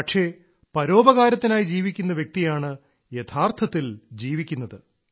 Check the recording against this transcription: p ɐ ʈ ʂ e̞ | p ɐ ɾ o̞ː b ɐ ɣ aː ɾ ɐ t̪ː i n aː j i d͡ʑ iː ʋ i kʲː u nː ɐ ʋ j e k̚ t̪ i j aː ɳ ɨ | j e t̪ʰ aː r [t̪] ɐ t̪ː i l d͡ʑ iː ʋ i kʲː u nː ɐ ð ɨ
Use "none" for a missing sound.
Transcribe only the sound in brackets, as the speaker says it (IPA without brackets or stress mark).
t̪ʰ